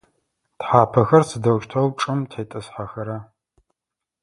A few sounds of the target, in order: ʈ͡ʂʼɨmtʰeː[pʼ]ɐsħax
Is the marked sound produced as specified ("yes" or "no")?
no